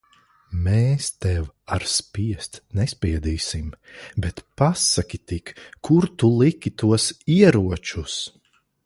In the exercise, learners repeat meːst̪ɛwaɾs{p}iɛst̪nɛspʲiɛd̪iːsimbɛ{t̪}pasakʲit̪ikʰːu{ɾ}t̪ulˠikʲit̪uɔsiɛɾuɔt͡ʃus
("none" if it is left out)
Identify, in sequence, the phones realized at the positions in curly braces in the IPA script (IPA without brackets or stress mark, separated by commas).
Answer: p, t̪, ɾ